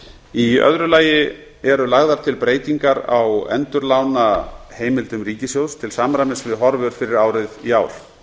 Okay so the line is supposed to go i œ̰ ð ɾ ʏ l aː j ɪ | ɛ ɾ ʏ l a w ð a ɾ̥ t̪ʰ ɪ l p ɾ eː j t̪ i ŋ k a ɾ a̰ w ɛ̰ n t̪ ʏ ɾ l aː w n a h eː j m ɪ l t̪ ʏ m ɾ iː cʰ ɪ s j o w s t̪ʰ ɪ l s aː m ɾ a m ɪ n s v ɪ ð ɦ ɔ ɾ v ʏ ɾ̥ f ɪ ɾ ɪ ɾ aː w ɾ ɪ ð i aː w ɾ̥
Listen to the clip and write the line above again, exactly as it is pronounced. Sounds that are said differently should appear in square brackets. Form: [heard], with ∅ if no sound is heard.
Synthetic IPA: i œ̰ ð ɾ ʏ l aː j ɪ | ɛ ɾ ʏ l a [ɣ] ð a ɾ̥ t̪ʰ ɪ l p ɾ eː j t̪ i ŋ k a ɾ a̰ w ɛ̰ n t̪ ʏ ɾ l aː w n a h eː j m ɪ l t̪ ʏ m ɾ iː [c] ɪ s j o w s t̪ʰ ɪ l s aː m ɾ a m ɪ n s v ɪ ð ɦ ɔ ɾ v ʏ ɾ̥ f ɪ ɾ ɪ ɾ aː w ɾ ɪ ð i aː w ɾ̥